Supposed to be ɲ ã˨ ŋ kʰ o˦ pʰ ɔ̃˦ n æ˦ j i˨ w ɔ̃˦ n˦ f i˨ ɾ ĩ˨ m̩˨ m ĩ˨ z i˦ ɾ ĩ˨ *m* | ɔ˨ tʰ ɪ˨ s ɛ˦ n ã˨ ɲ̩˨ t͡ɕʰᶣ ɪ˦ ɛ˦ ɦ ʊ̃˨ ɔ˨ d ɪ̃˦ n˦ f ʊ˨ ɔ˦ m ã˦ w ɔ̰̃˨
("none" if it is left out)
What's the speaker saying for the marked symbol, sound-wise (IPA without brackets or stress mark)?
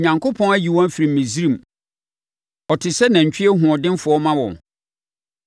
m